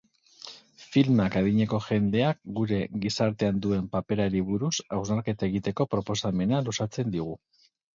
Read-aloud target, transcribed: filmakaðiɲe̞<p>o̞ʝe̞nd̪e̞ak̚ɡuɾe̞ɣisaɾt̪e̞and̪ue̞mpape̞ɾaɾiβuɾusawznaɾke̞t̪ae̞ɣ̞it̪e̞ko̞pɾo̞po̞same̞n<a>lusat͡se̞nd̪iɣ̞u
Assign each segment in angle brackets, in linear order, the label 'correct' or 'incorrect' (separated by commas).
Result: incorrect, correct